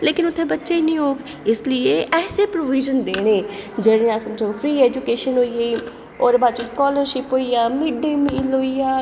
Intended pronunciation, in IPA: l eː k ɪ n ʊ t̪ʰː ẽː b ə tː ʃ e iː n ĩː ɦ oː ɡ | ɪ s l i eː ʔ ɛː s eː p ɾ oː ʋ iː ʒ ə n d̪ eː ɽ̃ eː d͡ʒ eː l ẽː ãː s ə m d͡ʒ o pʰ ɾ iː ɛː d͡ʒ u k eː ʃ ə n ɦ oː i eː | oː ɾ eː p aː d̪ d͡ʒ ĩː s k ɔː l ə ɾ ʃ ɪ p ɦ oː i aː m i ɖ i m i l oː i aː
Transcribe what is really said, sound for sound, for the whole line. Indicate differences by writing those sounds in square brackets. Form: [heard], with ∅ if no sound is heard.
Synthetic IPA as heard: l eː k ɪ n ʊ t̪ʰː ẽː b ə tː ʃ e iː n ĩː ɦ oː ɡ | ɪ s l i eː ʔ ɛː s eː p ɾ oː ʋ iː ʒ ə n d̪ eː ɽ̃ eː d͡ʒ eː [ɽ] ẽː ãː s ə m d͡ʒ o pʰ ɾ iː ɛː d͡ʒ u k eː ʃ ə n ɦ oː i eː | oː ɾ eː [b] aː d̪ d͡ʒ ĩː s k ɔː l ə ɾ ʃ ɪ p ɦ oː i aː m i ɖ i m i l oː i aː